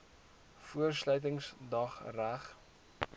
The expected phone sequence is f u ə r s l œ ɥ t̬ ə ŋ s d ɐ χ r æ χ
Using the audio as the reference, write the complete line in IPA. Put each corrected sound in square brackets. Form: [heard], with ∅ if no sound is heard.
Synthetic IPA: f u ə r s l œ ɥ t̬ ə ŋ s d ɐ χ r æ χ